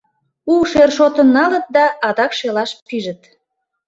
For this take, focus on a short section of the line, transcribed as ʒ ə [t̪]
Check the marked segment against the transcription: correct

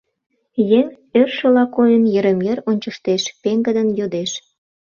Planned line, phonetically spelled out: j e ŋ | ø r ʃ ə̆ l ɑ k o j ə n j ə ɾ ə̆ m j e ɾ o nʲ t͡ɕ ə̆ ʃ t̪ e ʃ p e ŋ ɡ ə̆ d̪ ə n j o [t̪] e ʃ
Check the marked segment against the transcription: incorrect: d̪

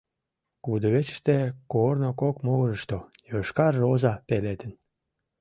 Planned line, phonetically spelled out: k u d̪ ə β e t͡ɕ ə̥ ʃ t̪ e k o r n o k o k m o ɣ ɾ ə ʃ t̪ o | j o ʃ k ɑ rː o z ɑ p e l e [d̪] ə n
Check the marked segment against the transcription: incorrect: t̪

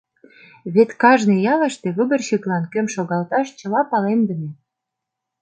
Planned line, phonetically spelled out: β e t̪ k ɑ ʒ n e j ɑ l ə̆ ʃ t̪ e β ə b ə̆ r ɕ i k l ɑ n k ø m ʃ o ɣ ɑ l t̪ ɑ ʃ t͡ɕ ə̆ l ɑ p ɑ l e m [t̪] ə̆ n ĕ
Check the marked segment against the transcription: incorrect: d̪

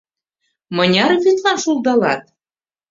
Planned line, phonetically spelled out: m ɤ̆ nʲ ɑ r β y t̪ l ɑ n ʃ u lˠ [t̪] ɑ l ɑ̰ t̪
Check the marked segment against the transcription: incorrect: d̪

